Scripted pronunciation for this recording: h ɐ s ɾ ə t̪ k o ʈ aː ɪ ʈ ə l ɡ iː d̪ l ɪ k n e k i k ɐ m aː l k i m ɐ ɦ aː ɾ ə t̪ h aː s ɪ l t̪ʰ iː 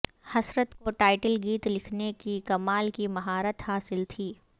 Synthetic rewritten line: h ɐ s ɾ ə t̪ k o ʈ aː ɪ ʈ ə l ɡ iː t̪ l ɪ kʰ n e k i k ɐ m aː l k i m ɐ ɦ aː ɾ ə t̪ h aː s ɪ l t̪ʰ iː